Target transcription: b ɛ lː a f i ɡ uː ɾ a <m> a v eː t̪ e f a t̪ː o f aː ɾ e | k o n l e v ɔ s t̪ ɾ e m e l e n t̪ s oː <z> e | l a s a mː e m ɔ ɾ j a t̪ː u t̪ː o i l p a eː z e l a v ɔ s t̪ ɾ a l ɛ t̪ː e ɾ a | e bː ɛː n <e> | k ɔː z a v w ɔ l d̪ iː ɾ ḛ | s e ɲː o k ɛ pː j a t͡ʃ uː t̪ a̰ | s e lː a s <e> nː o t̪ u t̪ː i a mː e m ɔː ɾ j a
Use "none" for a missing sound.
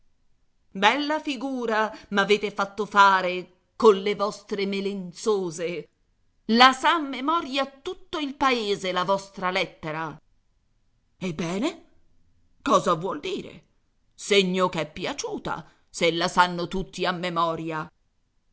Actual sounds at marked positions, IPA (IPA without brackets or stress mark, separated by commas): m, z, e, a